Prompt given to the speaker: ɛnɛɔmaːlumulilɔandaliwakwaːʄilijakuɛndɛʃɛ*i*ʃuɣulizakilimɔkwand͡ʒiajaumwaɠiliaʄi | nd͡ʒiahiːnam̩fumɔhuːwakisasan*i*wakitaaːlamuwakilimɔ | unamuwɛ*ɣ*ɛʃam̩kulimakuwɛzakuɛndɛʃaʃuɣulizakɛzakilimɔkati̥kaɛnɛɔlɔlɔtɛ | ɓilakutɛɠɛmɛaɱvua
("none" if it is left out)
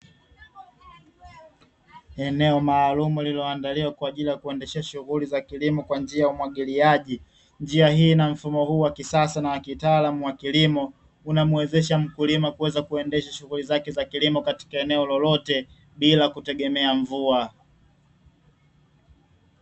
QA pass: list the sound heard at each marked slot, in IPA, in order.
a, a, z

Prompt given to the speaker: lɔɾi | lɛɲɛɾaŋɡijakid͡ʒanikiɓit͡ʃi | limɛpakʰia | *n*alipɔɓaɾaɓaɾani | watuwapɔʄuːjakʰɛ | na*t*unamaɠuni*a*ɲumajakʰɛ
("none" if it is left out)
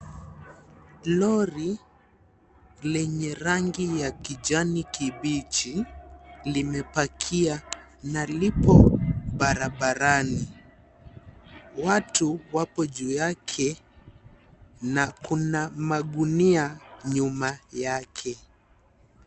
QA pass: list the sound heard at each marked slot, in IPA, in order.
n, k, a

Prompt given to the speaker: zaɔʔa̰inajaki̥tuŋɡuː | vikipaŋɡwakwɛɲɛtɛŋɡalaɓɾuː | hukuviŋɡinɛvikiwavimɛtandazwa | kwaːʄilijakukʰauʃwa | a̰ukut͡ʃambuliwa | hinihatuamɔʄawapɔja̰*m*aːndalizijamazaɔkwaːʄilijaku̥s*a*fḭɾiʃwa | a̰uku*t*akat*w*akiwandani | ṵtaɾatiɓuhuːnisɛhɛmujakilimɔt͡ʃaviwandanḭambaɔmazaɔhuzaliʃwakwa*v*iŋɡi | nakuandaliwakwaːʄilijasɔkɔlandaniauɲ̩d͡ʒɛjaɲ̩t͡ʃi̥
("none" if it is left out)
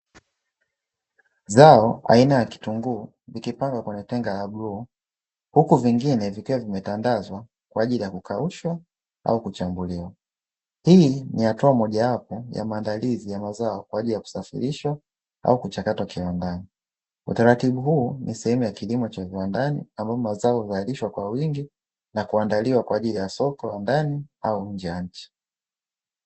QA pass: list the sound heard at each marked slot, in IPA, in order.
m, a, t͡ʃ, w, w

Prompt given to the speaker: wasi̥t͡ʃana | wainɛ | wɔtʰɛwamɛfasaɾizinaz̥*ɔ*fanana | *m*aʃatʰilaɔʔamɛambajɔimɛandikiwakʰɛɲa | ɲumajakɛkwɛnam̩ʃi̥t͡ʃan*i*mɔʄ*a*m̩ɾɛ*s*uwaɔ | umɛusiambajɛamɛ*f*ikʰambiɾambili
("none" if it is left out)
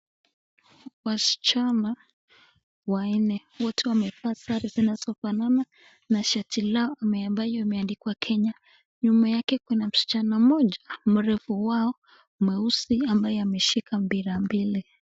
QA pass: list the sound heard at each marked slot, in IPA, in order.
ɔ, n, a, a, f, ʃ

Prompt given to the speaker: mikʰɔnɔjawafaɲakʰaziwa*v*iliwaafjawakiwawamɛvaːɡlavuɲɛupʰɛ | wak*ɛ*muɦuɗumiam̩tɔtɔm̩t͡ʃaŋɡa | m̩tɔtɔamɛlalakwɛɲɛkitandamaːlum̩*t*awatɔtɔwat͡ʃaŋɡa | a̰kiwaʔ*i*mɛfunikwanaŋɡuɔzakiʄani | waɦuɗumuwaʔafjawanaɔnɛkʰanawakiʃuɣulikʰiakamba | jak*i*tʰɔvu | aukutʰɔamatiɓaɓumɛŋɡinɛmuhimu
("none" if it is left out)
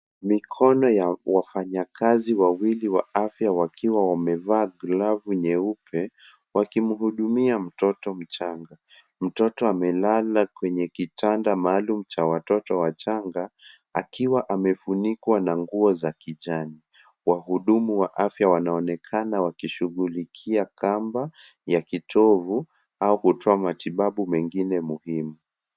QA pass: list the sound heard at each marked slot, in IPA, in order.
w, i, t͡ʃ, a, i

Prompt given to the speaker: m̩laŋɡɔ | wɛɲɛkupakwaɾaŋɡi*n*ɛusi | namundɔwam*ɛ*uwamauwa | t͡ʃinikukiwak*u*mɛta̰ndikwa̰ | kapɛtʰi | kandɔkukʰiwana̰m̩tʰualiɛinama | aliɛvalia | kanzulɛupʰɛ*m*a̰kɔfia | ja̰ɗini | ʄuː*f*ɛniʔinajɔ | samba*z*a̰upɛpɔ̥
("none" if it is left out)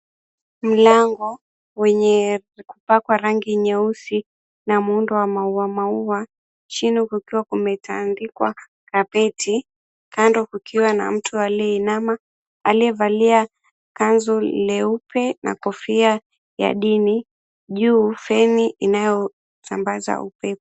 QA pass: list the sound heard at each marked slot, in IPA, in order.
ɲ, a, u, n, f, z

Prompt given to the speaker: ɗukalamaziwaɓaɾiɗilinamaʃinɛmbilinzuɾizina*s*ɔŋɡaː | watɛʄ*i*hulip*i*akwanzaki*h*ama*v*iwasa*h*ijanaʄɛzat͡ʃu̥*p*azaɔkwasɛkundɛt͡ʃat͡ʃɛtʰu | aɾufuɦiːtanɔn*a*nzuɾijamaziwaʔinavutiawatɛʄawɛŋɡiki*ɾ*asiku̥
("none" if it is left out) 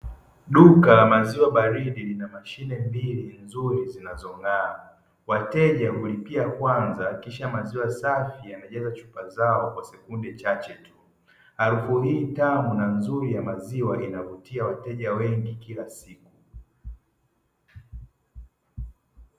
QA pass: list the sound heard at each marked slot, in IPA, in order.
z, a, i, ʃ, z, f, p, a, l

